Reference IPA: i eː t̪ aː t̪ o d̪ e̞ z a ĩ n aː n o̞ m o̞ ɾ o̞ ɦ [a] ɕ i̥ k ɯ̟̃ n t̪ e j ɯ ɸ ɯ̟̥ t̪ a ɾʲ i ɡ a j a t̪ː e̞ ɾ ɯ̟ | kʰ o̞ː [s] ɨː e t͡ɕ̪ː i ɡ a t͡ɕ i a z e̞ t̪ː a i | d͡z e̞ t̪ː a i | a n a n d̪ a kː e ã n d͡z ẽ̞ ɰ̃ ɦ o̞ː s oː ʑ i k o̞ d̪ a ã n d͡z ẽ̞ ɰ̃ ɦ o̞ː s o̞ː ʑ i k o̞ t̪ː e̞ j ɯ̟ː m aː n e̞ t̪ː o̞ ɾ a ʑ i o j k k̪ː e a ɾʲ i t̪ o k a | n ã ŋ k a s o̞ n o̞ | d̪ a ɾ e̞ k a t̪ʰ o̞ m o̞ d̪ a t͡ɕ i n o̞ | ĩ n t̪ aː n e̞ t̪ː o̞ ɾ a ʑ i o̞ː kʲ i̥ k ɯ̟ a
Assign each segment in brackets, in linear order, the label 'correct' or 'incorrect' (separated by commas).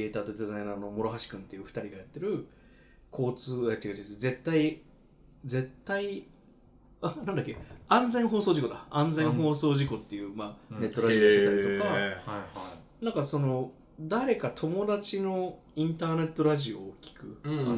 correct, incorrect